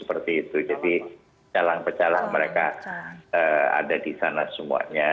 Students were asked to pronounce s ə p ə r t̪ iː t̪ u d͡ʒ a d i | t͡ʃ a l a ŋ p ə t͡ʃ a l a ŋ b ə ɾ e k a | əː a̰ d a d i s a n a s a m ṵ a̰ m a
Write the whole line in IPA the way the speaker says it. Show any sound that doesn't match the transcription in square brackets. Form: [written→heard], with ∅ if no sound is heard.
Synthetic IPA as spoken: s ə p ə r t̪ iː t̪ u d͡ʒ a d i | t͡ʃ a l a ŋ p ə t͡ʃ a l a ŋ [b→m] ə ɾ e k a | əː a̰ d a d i s a n a s [a→ə] m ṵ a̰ [m→ɲ] a

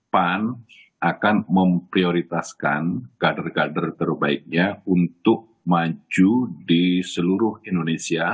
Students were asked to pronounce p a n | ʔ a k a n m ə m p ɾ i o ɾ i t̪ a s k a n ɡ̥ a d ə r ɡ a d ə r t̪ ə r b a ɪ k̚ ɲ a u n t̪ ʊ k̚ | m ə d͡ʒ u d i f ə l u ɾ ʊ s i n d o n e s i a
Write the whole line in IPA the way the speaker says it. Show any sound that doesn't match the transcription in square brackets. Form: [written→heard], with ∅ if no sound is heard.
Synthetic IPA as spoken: p a n | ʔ a k a n m ə m p ɾ i o ɾ i t̪ a s k a n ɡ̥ a d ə r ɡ a d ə r t̪ ə r b a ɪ k̚ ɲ a u n t̪ ʊ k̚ | m [ə→a] d͡ʒ u d i [f→s] ə l u ɾ ʊ [s→h] i n d o n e s i a

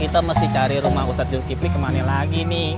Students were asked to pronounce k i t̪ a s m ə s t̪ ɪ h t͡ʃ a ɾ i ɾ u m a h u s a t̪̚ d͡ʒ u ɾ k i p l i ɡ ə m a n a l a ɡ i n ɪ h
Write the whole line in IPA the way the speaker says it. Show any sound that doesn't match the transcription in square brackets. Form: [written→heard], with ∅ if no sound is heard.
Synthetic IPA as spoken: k i t̪ a [s→∅] m ə s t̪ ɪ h t͡ʃ a ɾ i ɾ u m a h u s a t̪̚ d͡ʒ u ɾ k i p l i [ɡ→k] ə m a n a l a ɡ i n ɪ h

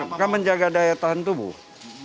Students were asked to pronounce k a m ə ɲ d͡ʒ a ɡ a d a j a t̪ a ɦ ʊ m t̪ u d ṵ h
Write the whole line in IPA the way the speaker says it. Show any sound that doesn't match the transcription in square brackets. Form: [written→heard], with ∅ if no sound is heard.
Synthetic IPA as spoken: k a m ə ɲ d͡ʒ a ɡ a d a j a t̪ a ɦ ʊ [m→n] t̪ u [d→b] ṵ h

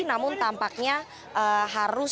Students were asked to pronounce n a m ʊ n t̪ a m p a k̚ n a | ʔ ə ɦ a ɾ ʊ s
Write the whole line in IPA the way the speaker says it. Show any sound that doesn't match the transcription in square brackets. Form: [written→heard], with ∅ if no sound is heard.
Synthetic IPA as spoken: n a m ʊ n t̪ a m p a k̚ [n→ɲ] a | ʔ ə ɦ a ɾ ʊ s

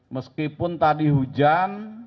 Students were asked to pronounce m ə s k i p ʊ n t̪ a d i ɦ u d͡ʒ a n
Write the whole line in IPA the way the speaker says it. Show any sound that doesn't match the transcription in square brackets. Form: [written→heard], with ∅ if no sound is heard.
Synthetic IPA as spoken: m ə s k i p ʊ n t̪ a d i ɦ u d͡ʒ a n

